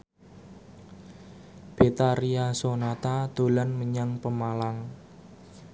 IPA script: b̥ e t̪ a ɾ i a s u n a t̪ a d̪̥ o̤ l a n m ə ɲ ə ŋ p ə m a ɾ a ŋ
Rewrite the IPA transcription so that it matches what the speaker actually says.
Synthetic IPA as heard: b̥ e t̪ a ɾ i a s o n a t̪ a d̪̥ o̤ l a n m ə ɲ a ŋ p ə m a l a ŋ